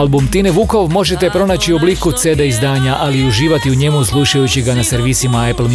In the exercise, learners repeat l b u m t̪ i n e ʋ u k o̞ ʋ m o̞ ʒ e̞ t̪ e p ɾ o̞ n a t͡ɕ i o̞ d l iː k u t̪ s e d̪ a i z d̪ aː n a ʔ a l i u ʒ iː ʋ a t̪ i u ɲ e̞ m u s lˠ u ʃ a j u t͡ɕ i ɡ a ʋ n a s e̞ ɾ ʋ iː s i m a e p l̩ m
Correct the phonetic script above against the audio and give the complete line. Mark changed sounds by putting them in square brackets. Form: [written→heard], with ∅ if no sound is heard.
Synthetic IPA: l b u m t̪ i n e ʋ u k o̞ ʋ m o̞ ʒ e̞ t̪ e p ɾ o̞ n a t͡ɕ i o̞ [d→b] l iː k u t̪ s e d̪ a i z d̪ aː [n→ɲ] a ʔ a l i u ʒ iː ʋ a t̪ i u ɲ e̞ m u s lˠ u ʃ a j u t͡ɕ i ɡ a [ʋ→∅] n a s e̞ ɾ ʋ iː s i m a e p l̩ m